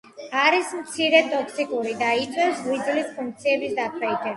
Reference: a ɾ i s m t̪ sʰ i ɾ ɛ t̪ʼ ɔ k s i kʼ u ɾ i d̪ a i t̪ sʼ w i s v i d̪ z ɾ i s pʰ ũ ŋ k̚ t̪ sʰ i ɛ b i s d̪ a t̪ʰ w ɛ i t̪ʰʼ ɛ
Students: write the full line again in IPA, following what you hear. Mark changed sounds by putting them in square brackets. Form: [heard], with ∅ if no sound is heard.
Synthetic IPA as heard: a ɾ i s m t̪ sʰ i ɾ ɛ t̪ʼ ɔ k s i kʼ u ɾ i d̪ a i t̪ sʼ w [ɛ] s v i d̪ z [l] i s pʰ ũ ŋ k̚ t̪ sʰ i ɛ b i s d̪ a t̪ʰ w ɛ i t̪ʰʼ ɛ